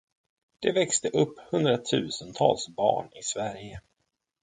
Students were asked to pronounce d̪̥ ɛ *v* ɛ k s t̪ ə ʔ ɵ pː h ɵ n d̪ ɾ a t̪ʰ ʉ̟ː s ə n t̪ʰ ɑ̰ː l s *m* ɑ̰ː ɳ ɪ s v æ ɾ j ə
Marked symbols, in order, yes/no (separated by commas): yes, no